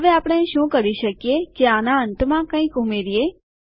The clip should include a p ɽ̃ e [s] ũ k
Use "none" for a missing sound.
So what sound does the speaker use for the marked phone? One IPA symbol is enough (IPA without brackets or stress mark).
ʃ